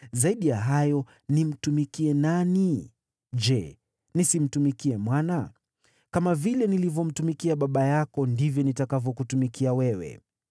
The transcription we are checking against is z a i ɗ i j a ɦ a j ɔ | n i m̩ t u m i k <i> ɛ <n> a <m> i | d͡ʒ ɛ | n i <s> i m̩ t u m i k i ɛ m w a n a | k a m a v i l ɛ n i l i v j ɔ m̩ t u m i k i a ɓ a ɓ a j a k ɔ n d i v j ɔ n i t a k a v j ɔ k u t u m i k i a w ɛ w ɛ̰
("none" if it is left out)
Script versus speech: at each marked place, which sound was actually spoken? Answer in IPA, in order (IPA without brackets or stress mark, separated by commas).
i, n, n, s